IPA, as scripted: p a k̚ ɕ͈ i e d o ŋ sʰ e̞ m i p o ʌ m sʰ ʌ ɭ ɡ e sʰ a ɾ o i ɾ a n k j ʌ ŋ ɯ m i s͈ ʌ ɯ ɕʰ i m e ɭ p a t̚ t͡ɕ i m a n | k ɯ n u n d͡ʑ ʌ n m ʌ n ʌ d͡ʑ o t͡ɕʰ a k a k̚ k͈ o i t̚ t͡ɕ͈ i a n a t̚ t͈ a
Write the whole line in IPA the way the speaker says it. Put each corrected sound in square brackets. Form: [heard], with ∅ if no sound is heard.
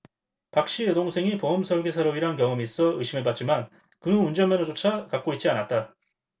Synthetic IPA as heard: p a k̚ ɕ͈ i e d o ŋ sʰ e̞ [ŋ] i p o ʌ m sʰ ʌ ɭ ɡ e sʰ a ɾ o i ɾ a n k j ʌ ŋ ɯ m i s͈ ʌ ɯ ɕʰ i m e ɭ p a t̚ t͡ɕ i m a n | k ɯ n u n d͡ʑ ʌ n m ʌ n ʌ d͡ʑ o t͡ɕʰ a k a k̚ k͈ o i t̚ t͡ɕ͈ i a n a t̚ t͈ a